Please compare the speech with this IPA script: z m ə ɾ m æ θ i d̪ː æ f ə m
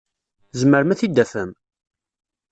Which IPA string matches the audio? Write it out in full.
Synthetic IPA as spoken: z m ə ɾ m æ θ i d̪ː æ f ə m